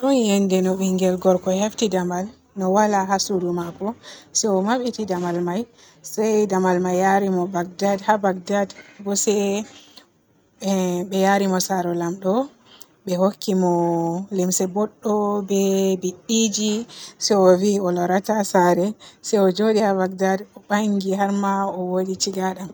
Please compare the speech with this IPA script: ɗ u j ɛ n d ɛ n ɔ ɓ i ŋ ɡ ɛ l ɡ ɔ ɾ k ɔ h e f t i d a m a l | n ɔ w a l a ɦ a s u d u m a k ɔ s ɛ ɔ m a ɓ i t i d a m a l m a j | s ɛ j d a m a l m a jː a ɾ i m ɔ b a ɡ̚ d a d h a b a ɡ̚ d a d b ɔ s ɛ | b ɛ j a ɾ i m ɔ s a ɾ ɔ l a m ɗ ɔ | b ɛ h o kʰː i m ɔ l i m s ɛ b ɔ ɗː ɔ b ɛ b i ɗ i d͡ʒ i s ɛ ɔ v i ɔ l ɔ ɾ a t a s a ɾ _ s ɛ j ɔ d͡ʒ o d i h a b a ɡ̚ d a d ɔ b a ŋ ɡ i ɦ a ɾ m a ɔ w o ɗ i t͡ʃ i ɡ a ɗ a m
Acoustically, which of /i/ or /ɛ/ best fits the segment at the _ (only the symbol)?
ɛ